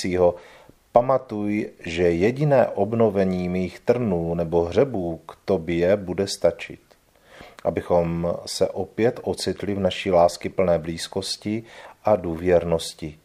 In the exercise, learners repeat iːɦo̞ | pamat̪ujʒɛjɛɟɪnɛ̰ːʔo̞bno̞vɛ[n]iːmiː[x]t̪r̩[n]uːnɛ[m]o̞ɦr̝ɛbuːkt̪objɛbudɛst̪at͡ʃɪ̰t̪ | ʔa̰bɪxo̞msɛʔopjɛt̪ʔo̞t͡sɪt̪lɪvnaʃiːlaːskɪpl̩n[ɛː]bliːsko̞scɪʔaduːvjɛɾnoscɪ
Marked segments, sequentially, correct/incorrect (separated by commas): incorrect, correct, correct, incorrect, correct